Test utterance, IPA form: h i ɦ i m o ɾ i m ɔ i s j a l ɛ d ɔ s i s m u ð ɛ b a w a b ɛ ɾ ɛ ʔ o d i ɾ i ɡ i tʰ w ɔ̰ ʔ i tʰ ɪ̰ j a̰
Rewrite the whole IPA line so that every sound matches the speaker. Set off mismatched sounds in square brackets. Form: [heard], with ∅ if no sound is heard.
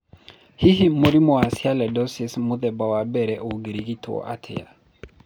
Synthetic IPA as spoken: h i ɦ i m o ɾ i m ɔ [a] s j a l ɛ d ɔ s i s m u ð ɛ b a w a b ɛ ɾ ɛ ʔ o [ɡ] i ɾ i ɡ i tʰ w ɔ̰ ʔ [a] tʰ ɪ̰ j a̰